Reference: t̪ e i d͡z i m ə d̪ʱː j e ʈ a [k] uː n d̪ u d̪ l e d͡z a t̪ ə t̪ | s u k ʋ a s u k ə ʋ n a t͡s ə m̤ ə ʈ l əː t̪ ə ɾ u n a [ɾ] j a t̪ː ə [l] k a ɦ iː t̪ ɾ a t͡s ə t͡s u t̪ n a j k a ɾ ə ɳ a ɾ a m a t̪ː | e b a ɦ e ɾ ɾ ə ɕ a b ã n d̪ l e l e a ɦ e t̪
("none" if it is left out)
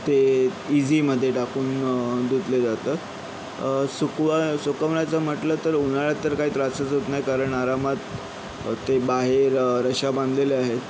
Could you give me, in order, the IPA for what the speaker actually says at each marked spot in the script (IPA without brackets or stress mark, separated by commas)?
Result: k, ɭ, ɾ